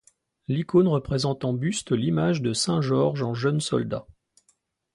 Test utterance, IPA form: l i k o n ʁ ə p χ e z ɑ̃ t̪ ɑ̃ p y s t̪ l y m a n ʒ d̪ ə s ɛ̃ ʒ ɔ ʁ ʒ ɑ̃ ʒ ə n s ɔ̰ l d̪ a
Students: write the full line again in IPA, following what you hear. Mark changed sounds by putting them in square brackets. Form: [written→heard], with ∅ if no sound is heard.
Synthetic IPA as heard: l i k o n ʁ ə p χ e z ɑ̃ t̪ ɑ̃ [p→b] y s t̪ l [y→i] m a [n→∅] ʒ d̪ ə s ɛ̃ ʒ ɔ ʁ ʒ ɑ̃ ʒ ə n s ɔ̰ l d̪ a